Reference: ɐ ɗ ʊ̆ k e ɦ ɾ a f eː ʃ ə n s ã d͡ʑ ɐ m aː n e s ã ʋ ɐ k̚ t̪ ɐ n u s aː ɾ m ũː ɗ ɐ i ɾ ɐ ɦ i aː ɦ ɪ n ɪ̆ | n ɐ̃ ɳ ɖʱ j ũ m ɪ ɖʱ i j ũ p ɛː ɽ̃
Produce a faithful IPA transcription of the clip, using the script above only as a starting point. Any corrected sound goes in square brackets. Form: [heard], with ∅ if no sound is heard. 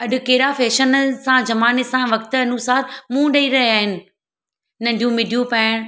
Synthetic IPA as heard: ɐ ɗ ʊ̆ k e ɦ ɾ a f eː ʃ ə n s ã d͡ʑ ɐ m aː n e s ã ʋ ɐ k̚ t̪ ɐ n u s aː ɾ m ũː ɗ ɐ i ɾ ɐ ɦ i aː ɦ ɪ n ɪ̆ | n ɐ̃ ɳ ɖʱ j ũ m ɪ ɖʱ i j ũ p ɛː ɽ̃